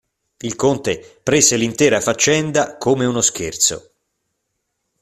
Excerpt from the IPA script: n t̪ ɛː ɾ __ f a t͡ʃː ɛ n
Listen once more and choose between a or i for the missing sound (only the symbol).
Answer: a